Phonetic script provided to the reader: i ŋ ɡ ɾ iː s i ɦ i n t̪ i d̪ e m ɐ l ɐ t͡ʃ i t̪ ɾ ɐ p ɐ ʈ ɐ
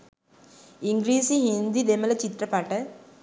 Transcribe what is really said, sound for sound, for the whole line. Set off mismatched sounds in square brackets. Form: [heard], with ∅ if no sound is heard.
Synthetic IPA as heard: i ŋ ɡ ɾ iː s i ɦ i n [d̪] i d̪ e m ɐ l ɐ t͡ʃ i t̪ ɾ ɐ p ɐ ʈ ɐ